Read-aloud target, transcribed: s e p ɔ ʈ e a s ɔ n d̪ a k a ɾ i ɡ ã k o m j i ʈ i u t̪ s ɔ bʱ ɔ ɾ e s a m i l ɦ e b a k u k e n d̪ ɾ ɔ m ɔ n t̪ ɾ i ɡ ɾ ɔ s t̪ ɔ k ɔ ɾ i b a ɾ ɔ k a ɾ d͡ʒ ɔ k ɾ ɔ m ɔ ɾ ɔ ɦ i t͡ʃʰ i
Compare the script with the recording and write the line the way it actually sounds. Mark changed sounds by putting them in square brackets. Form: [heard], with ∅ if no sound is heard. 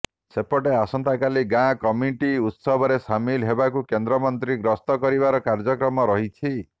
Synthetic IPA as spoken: s e p ɔ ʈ e a s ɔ n [t̪] a k a [l] i ɡ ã k [ɔ] m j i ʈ i u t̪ s ɔ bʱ ɔ ɾ e s a m i l ɦ e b a k u k e n d̪ ɾ ɔ m ɔ n t̪ ɾ i ɡ ɾ ɔ s t̪ ɔ k ɔ ɾ i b a ɾ ɔ k a ɾ d͡ʒ ɔ k ɾ ɔ m ɔ ɾ ɔ ɦ i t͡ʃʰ i

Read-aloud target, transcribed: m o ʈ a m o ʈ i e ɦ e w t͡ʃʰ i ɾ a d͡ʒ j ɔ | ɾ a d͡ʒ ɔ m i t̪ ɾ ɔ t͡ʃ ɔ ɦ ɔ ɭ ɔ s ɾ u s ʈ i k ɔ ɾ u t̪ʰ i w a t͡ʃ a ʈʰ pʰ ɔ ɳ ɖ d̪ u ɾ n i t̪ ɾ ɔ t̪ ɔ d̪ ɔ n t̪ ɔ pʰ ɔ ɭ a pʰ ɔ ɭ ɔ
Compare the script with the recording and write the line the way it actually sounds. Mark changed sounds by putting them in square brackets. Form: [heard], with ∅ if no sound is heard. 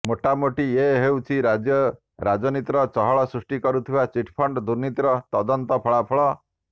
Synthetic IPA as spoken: m o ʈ a m o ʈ i e ɦ e w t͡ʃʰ i ɾ a d͡ʒ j ɔ | ɾ a d͡ʒ ɔ [n] i t̪ ɾ ɔ t͡ʃ ɔ ɦ ɔ ɭ ɔ s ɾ u s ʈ i k ɔ ɾ u t̪ʰ i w a t͡ʃ [i] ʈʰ pʰ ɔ ɳ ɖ d̪ u ɾ n i t̪ ɾ ɔ t̪ ɔ d̪ ɔ n t̪ ɔ pʰ ɔ ɭ a pʰ ɔ ɭ ɔ

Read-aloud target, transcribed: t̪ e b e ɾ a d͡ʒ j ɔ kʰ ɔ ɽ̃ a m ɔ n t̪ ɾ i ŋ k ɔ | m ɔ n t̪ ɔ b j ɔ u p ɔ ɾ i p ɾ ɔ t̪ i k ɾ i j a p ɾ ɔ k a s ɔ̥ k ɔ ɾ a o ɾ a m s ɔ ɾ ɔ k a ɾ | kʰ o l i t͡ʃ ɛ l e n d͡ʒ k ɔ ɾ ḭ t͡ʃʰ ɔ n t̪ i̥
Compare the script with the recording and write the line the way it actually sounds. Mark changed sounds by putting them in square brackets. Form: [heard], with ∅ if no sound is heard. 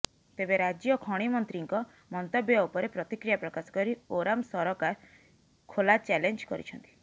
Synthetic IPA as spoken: t̪ e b e ɾ a d͡ʒ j ɔ kʰ ɔ ɽ̃ [i] m ɔ n t̪ ɾ i ŋ k ɔ | m ɔ n t̪ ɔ b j ɔ u p ɔ ɾ [e] p ɾ ɔ t̪ i k ɾ i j a p ɾ ɔ k a s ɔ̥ k ɔ ɾ [i] o ɾ a m s ɔ ɾ ɔ k a ɾ | kʰ o l [a] t͡ʃ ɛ l e n d͡ʒ k ɔ ɾ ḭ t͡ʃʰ ɔ n t̪ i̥

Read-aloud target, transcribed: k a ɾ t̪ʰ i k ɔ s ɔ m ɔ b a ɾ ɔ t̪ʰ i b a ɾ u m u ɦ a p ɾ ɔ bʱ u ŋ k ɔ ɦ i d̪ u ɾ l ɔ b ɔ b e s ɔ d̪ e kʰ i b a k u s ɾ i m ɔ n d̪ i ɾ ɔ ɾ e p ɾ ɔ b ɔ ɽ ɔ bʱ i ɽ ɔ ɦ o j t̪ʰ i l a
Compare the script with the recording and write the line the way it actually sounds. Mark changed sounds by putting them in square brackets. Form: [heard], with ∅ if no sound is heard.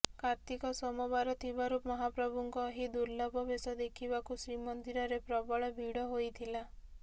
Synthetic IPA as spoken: k a ɾ [t̪] i k ɔ s ɔ m ɔ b a ɾ ɔ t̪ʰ i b a ɾ u m [ɔ] ɦ a p ɾ ɔ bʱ u ŋ k ɔ ɦ i d̪ u ɾ l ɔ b ɔ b e s ɔ d̪ e kʰ i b a k u s ɾ i m ɔ n d̪ i ɾ ɔ ɾ e p ɾ ɔ b ɔ [ɭ] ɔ bʱ i ɽ ɔ ɦ o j t̪ʰ i l a

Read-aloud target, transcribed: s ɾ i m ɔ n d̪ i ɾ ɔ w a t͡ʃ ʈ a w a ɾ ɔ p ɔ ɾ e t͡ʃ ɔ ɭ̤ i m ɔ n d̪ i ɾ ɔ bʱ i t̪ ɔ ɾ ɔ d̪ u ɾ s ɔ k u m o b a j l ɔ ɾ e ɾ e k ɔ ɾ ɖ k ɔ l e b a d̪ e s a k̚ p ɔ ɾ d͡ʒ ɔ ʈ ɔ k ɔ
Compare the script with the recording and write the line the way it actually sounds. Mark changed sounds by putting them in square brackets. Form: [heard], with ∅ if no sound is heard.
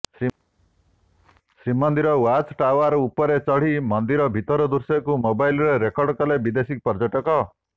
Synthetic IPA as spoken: s ɾ i m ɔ n d̪ i ɾ ɔ w a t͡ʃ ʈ a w a ɾ [u] p ɔ ɾ e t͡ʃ ɔ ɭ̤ i m ɔ n d̪ i ɾ ɔ bʱ i t̪ ɔ ɾ ɔ d̪ u ɾ s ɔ k u m o b a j l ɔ ɾ e ɾ e k ɔ ɾ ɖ k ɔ l e b [i] d̪ e s [i] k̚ p ɔ ɾ d͡ʒ ɔ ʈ ɔ k ɔ

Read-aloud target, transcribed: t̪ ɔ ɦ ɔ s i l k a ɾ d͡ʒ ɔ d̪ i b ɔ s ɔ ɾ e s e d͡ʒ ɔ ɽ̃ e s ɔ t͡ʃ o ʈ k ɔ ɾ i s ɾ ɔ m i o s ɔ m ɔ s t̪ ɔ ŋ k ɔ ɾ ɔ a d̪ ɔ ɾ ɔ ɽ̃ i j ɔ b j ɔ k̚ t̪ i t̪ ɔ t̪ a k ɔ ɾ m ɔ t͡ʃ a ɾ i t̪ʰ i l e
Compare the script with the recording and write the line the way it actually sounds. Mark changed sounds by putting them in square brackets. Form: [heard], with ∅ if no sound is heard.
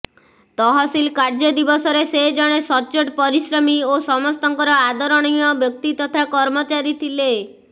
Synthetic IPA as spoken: t̪ ɔ ɦ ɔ s i l k a ɾ d͡ʒ ɔ d̪ i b ɔ s ɔ ɾ e s e d͡ʒ ɔ ɽ̃ e s ɔ t͡ʃ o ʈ [p] ɔ ɾ i s ɾ ɔ m i o s ɔ m ɔ s t̪ ɔ ŋ k ɔ ɾ ɔ a d̪ ɔ ɾ ɔ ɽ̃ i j ɔ b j ɔ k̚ t̪ i t̪ ɔ [t̪ʰ] a k ɔ ɾ m ɔ t͡ʃ a ɾ i t̪ʰ i l e

